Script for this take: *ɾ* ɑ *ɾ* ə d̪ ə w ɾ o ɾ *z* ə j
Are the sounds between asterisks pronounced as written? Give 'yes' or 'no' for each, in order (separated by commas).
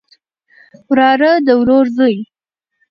yes, yes, yes